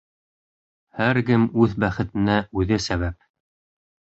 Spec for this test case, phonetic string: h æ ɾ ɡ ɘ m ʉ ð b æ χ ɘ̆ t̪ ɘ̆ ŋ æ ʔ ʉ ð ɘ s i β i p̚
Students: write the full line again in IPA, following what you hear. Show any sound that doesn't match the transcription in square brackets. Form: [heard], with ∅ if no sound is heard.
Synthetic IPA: h æ ɾ ɡ ɘ m ʉ ð b æ χ ɘ̆ t̪ ɘ̆ [n] æ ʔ ʉ ð ɘ s [æ] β [æ] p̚